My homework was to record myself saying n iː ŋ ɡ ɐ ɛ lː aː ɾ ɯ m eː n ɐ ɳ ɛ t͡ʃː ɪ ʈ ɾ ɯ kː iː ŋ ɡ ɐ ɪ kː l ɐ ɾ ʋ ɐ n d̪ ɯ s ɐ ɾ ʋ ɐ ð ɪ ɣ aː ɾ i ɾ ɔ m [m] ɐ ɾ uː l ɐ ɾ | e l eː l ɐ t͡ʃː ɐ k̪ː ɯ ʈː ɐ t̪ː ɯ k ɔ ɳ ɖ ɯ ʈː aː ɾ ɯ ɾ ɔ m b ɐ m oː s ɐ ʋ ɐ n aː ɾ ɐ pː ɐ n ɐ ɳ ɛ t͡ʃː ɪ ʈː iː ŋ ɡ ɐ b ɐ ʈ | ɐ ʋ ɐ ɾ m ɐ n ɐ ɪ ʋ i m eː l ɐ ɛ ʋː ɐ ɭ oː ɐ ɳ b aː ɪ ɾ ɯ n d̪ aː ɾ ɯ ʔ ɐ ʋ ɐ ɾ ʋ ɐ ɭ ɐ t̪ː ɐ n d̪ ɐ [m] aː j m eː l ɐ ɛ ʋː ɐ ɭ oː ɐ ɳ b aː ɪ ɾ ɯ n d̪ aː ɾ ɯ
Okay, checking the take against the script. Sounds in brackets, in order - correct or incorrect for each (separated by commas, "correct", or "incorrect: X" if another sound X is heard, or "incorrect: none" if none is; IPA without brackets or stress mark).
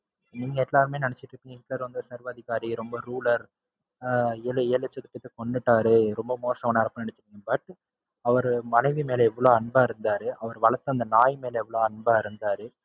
incorrect: b, incorrect: n